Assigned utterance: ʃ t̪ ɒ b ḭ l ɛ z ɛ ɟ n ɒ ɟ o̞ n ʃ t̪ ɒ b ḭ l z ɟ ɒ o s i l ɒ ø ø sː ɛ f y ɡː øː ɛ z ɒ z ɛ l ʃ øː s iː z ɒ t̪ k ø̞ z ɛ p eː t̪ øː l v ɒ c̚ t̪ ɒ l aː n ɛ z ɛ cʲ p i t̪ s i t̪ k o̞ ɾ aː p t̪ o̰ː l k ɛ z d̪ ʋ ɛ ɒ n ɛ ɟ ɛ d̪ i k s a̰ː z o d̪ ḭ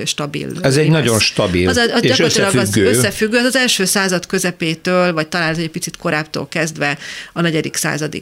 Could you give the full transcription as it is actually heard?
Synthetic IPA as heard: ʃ t̪ ɒ b ḭ l ɛ z ɛ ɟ n ɒ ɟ o̞ n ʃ t̪ ɒ b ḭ l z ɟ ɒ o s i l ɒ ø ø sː ɛ f y ɡː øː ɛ z ɒ z ɛ l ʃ øː s aː z ɒ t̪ k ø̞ z ɛ p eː t̪ øː l v ɒ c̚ t̪ ɒ l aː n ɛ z ɛ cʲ p i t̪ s i t̪ k o̞ ɾ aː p t̪ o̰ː l k ɛ z d̪ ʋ ɛ ɒ n ɛ ɟ ɛ d̪ i k s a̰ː z ɒ d̪ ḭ